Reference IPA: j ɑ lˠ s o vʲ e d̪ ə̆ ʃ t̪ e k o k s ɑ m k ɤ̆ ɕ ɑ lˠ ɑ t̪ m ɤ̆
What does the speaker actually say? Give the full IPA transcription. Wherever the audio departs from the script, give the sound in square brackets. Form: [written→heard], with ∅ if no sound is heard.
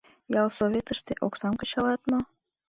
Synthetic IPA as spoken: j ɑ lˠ s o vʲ e [d̪→t̪] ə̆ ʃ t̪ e [k→ʔ] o k s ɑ m k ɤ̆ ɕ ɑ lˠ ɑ t̪ m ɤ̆